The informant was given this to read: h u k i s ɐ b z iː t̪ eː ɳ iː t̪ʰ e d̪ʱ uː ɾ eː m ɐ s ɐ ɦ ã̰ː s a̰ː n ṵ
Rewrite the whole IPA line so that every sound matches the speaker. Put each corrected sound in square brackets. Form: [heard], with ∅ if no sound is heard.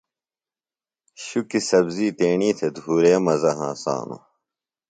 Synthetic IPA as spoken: [ɕ] u k i s ɐ b z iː t̪ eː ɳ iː t̪ʰ e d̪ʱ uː ɾ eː m ɐ [z] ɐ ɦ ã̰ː s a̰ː n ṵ